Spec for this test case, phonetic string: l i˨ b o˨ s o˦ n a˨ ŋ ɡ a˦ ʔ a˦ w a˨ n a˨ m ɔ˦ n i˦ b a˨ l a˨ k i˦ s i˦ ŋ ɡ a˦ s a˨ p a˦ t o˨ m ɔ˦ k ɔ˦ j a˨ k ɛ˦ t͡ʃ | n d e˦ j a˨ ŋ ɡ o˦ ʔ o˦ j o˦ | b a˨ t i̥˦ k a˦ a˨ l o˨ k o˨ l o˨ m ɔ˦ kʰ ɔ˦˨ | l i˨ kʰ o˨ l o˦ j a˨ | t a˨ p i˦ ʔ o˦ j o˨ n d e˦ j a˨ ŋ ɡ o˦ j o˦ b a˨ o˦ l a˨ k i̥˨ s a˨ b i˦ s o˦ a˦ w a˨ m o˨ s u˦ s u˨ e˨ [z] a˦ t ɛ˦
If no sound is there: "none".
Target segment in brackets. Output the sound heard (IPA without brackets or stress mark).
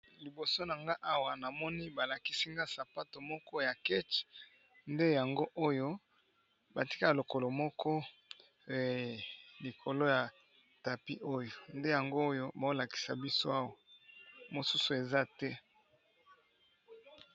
z